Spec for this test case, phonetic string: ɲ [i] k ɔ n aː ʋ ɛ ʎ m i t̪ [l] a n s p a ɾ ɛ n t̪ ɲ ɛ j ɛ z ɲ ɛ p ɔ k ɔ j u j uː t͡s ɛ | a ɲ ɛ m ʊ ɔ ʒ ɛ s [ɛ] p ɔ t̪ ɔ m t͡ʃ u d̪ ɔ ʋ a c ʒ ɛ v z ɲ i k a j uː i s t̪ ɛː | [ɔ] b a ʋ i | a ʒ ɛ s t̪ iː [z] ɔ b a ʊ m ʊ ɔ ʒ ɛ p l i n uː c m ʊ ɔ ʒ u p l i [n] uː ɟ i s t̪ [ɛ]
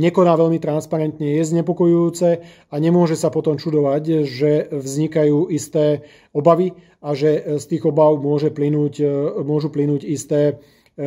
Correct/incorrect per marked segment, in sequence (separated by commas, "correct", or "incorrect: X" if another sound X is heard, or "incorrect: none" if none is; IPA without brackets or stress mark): incorrect: ɛ, incorrect: ɾ, incorrect: a, correct, incorrect: ɣ, correct, incorrect: ɛː